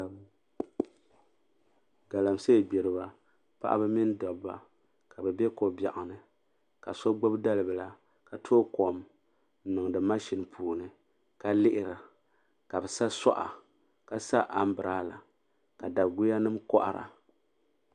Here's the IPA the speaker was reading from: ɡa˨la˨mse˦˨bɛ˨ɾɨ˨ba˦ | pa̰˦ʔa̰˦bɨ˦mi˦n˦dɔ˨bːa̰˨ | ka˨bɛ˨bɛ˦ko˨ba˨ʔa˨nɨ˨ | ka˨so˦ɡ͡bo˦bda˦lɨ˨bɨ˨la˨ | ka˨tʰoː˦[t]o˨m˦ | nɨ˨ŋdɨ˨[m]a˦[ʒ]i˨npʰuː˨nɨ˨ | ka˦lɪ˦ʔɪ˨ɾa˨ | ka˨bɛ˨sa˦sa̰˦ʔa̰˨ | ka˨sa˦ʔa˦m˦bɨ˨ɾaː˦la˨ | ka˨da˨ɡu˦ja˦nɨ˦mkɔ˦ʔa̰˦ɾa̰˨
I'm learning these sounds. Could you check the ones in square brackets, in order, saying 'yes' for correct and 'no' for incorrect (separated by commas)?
no, yes, no